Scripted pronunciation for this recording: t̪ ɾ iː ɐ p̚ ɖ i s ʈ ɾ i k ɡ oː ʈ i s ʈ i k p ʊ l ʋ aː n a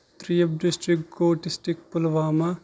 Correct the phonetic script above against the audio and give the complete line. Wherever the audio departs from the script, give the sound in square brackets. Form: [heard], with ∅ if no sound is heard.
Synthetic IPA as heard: t̪ ɾ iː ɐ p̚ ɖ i s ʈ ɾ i k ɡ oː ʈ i s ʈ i k p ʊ l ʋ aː [m] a